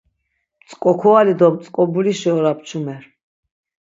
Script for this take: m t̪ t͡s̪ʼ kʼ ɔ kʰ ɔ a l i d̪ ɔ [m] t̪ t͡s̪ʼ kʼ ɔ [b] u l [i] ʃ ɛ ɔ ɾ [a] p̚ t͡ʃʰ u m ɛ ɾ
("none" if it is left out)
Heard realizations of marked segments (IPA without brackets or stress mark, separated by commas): m, b, i, a